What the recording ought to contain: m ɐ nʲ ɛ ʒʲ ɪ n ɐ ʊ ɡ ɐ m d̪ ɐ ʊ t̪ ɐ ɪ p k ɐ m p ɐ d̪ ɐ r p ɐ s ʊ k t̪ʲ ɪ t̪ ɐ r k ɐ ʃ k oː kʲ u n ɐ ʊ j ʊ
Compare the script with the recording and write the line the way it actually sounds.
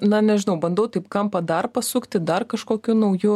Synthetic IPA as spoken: n ɐ nʲ ɛ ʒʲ ɪ n ɐ ʊ b ɐ n d̪ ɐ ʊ t̪ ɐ ɪ p k ɐ m p ɐ d̪ ɐ r p ɐ s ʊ k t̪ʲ ɪ d̪ ɐ r k ɐ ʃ k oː kʲ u n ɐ ʊ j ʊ